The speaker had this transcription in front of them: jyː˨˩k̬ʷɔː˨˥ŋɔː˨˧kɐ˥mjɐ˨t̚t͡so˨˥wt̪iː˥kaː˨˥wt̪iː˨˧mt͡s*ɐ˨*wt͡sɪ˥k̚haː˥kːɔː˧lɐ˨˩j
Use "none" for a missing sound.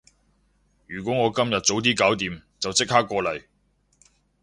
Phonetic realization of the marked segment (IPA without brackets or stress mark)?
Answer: ɐ˨